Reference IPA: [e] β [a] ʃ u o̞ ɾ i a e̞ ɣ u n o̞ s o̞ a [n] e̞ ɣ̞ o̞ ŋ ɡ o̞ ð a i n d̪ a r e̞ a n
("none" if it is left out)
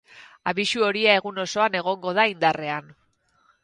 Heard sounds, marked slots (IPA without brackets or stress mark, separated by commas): a, i, n